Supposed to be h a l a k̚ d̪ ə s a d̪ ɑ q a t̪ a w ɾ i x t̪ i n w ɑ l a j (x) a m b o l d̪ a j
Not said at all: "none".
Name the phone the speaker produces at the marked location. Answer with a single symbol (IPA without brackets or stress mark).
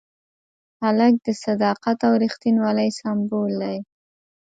s